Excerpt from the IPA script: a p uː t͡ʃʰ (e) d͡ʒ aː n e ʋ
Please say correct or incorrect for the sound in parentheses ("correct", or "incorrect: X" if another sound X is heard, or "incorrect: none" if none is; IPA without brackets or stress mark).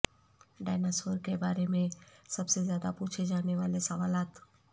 correct